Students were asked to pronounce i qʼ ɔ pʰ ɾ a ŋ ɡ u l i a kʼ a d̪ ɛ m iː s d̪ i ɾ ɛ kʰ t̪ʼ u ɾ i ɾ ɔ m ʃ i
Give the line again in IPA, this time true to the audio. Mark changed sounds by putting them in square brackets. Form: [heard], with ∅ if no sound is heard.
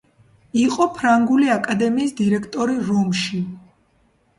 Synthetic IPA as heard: i qʼ ɔ pʰ ɾ a ŋ ɡ u l i a kʼ a d̪ ɛ m iː s d̪ i ɾ ɛ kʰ t̪ʼ [ɔ] ɾ i ɾ ɔ m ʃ i